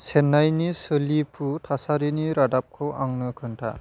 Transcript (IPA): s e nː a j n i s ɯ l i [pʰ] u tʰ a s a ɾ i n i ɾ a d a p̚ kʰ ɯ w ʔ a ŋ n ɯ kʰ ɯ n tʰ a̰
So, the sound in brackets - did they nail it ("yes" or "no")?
yes